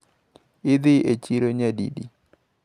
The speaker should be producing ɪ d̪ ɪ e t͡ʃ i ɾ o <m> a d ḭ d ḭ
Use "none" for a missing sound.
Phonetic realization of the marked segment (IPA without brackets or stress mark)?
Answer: ɲ